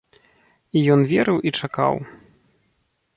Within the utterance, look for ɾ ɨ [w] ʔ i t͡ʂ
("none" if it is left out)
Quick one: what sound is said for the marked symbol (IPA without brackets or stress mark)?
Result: w